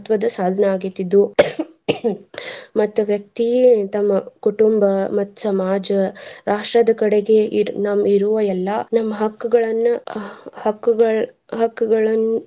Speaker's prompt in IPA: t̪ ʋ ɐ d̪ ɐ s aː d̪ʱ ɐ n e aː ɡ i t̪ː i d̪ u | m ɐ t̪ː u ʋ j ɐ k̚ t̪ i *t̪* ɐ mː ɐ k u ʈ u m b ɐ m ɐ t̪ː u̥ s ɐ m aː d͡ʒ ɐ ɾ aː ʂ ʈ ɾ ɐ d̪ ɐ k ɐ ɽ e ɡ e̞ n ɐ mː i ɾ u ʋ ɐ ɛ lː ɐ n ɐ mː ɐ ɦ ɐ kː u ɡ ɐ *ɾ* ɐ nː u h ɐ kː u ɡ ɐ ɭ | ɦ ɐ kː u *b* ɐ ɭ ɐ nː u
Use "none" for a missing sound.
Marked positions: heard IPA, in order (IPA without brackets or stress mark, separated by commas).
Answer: t̪, ɭ, ɡ